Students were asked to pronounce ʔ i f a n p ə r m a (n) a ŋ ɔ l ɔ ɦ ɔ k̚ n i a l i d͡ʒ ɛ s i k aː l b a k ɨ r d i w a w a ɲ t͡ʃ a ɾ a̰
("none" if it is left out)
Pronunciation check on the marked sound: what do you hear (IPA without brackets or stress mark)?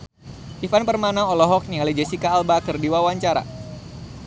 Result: n